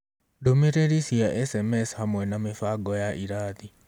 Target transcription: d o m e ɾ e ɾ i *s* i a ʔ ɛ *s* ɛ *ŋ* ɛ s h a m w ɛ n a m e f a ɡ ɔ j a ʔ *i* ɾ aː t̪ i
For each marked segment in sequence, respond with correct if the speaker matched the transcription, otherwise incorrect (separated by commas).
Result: correct, correct, incorrect, correct